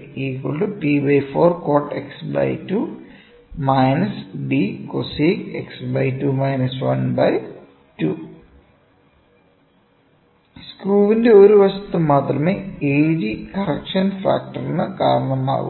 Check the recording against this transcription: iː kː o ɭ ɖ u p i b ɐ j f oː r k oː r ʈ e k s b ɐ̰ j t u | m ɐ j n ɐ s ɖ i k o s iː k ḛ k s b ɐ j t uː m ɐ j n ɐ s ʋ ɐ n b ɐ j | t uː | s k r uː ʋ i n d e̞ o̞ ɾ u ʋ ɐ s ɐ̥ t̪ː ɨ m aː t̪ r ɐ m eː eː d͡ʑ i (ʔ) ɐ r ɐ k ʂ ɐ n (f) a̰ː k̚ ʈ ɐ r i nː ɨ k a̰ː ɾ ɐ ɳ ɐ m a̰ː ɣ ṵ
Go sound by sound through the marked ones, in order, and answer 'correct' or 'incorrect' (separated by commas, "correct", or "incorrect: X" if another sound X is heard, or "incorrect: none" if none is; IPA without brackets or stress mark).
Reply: incorrect: k, correct